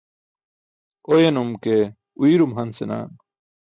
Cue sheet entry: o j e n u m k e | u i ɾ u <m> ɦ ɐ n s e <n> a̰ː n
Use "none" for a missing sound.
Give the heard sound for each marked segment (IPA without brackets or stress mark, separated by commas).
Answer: m, n